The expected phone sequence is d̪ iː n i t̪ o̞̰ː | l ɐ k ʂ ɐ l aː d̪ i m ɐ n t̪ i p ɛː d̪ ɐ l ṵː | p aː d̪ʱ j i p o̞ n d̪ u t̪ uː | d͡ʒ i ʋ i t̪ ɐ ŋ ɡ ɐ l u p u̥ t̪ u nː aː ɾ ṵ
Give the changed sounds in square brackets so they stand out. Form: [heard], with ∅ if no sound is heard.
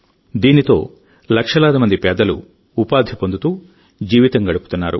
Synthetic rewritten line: d̪ iː n i t̪ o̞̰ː | l ɐ k ʂ ɐ l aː d̪ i m ɐ n [d̪] i p ɛː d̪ ɐ l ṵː | p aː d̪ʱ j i p o̞ n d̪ u t̪ uː | d͡ʒ [iː] ʋ i t̪ ɐ ŋ ɡ ɐ [ɽ] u p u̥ t̪ u nː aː ɾ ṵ